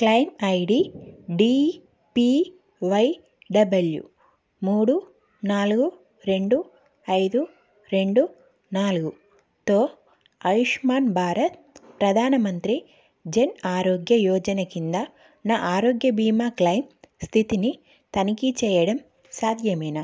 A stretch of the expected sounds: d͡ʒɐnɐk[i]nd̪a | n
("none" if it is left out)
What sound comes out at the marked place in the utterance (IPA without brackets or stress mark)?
i